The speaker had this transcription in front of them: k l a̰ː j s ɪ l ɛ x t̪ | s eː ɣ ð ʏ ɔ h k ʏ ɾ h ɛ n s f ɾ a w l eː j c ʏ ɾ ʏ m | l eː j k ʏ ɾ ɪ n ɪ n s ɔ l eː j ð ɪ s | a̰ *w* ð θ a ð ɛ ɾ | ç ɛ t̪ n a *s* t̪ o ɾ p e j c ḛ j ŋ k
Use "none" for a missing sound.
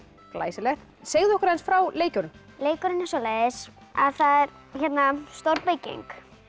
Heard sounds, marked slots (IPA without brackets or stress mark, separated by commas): none, s